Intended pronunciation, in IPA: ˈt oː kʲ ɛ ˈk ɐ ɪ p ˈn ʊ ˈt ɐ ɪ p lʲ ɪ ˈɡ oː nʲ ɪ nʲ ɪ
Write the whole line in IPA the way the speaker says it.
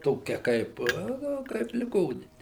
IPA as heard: ˈt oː kʲ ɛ ˈk ɐ ɪ p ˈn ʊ ˈk ɐ ɪ p lʲ ɪ ˈɡ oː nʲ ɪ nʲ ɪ